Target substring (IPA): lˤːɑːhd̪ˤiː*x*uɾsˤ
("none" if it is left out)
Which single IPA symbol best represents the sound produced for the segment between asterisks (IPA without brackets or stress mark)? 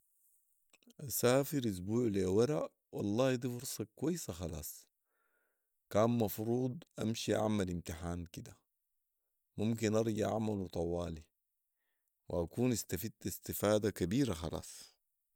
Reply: f